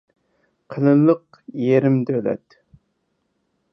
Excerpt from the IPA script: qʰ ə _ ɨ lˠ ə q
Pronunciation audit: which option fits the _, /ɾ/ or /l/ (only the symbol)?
l